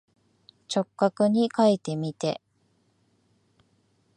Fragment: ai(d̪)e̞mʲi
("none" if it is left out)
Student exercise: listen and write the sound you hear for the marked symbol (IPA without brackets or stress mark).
t̪